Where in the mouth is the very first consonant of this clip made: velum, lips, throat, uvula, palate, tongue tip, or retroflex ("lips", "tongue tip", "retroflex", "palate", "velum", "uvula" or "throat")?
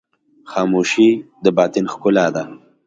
velum